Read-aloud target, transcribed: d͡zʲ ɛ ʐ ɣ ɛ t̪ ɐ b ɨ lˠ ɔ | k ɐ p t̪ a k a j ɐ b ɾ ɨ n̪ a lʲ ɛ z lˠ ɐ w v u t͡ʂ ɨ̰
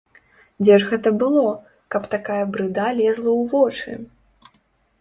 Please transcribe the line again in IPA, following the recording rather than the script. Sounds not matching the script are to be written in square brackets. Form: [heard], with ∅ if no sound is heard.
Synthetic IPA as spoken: d͡zʲ ɛ ʐ ɣ ɛ t̪ ɐ b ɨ lˠ ɔ | k ɐ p t̪ a k a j ɐ b ɾ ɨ [d̪] a lʲ ɛ z lˠ ɐ w v [ɔ] t͡ʂ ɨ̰